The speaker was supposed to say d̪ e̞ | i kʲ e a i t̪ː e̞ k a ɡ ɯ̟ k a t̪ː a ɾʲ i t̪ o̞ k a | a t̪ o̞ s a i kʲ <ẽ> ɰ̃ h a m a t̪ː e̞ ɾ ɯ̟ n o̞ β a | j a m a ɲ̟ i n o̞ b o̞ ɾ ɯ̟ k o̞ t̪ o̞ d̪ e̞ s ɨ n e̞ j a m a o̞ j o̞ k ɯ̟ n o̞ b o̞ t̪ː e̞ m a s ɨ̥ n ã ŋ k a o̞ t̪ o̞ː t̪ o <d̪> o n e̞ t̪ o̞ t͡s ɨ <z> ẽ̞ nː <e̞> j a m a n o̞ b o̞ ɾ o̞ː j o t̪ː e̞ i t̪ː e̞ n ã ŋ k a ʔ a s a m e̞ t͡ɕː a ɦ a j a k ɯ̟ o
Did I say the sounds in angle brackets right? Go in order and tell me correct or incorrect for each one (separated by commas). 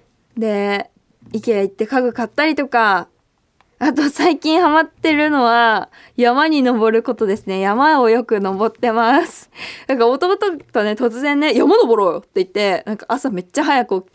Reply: incorrect, incorrect, correct, correct